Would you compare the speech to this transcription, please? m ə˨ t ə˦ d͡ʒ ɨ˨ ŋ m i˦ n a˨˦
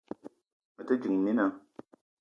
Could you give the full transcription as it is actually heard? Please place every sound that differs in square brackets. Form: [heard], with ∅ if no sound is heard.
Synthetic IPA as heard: m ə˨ t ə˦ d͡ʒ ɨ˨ ŋ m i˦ n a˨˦